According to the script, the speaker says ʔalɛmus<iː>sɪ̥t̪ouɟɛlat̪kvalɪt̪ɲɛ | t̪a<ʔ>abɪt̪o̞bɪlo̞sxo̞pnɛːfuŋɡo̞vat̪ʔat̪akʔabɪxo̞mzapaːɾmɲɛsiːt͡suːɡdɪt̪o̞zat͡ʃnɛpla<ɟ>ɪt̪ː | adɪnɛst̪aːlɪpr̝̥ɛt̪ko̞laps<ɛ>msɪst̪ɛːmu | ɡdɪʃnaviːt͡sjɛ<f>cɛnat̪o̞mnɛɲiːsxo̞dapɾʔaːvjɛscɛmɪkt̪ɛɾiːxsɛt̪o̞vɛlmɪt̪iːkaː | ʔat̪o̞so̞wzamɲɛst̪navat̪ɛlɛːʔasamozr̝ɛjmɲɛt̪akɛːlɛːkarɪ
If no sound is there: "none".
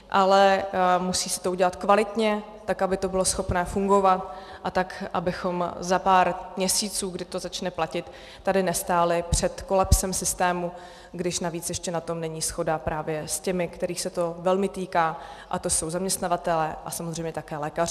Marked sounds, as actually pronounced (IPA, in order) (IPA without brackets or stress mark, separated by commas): iː, k, c, ɛ, ʃ